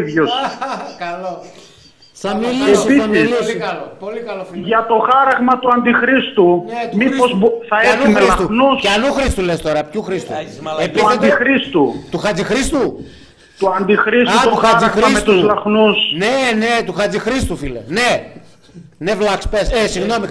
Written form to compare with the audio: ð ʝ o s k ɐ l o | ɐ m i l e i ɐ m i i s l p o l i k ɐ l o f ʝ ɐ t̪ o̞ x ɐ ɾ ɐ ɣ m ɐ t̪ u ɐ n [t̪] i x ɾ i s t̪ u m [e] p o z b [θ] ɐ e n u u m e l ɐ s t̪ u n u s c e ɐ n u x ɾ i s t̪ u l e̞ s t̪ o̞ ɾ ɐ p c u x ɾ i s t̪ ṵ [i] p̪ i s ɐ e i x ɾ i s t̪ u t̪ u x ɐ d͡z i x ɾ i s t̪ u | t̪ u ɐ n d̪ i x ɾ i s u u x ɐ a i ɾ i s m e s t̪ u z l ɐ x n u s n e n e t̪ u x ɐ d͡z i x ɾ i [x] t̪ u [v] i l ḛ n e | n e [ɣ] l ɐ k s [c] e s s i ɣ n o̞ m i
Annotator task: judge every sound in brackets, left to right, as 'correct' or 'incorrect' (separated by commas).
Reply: incorrect, incorrect, correct, incorrect, incorrect, incorrect, incorrect, incorrect